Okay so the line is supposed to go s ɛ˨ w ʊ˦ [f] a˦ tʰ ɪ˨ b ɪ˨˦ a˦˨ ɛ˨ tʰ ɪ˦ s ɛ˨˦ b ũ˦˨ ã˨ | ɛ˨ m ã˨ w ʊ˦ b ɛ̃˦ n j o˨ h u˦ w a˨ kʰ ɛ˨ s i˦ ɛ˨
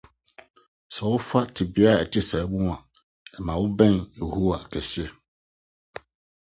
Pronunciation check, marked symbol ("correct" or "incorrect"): correct